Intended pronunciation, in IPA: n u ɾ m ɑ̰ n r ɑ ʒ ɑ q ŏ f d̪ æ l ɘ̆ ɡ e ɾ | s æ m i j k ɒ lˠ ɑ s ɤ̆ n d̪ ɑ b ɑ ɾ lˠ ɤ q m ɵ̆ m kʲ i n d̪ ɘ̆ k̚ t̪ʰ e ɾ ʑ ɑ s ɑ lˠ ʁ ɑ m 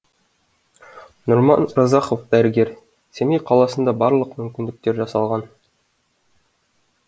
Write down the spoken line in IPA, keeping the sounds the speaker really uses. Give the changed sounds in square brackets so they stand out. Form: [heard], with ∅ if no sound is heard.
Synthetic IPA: n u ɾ m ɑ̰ n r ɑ [z] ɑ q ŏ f d̪ æ [ɾ] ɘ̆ ɡ e ɾ | s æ m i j [q] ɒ lˠ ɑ s ɤ̆ n d̪ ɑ b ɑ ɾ lˠ ɤ q m ɵ̆ m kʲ i n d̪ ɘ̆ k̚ [t̪] e ɾ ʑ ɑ s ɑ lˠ ʁ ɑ [n]